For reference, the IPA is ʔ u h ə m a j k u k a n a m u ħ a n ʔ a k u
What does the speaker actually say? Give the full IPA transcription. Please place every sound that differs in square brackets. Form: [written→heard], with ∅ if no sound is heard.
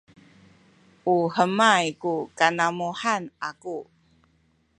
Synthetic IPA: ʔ u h ə m a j k u k a n a m u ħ a n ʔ a k u